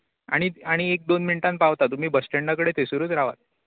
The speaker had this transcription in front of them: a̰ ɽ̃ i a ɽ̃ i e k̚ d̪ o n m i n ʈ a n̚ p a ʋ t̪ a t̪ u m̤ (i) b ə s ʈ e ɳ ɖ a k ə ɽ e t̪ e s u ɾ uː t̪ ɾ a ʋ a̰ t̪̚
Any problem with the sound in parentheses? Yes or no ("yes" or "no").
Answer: yes